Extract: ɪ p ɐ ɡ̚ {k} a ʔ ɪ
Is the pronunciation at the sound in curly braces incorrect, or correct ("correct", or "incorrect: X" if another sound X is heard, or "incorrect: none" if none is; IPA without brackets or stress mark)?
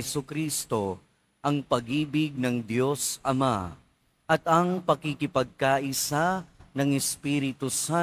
correct